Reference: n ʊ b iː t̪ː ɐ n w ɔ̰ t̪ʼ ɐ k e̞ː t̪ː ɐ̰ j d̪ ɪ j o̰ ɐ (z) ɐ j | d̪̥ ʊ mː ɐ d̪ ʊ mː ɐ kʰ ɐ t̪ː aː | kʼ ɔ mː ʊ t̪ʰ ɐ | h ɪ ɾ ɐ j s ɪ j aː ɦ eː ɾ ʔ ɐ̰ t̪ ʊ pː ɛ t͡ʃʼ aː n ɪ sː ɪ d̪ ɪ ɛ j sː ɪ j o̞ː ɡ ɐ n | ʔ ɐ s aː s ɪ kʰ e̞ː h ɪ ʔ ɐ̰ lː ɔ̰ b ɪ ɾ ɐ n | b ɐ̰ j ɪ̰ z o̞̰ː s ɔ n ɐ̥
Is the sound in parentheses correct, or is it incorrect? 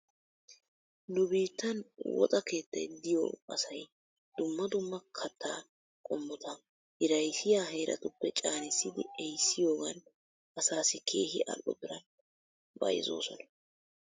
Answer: incorrect